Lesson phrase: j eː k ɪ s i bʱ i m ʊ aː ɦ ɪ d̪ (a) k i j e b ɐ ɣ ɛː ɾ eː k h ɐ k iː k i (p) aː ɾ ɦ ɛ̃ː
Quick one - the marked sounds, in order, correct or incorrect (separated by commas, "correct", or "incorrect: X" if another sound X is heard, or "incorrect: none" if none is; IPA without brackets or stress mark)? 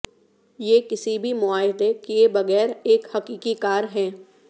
incorrect: e, incorrect: k